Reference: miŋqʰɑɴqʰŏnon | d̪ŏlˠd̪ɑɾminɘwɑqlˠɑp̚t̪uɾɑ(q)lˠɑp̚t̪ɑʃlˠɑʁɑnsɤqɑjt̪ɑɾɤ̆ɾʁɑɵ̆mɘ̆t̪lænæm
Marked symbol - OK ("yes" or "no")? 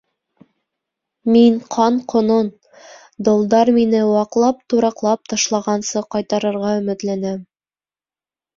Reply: yes